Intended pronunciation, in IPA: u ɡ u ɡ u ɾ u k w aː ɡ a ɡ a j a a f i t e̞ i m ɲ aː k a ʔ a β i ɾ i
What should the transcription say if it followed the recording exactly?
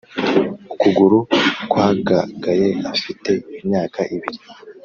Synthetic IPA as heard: u k u ɡ u ɾ u k w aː ɡ a ɡ a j e a f i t e̞ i m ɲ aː k a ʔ i β i ɾ i